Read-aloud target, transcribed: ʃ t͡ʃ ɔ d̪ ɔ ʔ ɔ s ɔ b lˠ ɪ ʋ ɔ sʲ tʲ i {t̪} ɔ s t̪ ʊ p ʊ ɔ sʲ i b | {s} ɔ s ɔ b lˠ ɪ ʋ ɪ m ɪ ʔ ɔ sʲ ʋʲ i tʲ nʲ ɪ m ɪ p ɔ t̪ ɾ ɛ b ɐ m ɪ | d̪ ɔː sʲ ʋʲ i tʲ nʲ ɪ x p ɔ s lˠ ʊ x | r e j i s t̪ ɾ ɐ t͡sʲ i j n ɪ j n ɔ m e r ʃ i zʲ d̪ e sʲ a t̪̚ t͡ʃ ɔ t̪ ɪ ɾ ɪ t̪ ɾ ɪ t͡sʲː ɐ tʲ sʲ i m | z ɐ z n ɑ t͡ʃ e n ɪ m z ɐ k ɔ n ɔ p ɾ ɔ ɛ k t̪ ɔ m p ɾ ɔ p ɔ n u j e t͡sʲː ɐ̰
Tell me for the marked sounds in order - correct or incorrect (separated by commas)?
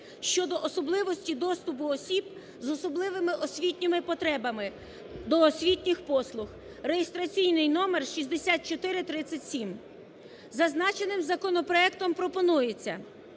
incorrect, incorrect